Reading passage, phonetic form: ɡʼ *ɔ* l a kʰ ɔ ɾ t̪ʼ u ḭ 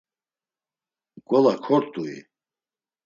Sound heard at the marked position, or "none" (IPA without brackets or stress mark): ɔ